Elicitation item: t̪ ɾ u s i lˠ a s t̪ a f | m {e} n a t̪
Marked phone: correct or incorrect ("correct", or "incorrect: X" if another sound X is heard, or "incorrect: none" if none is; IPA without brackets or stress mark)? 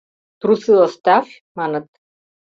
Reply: incorrect: a